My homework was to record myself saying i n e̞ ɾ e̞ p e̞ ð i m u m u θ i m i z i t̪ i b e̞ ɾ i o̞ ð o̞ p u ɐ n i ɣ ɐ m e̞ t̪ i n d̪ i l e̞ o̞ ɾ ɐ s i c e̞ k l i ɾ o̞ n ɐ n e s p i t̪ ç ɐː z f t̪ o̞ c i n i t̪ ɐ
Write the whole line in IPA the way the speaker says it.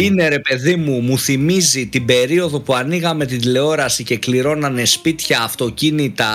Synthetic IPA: i n e̞ ɾ e̞ p e̞ ð i m u m u θ i m i z i t̪ i b e̞ ɾ i o̞ ð o̞ p u ɐ n i ɣ ɐ m e̞ t̪ i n d̪ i l e̞ o̞ ɾ ɐ s i c e̞ k l i ɾ o̞ n ɐ n e s p i t̪ ç ɐː f t̪ o̞ c i n i t̪ ɐ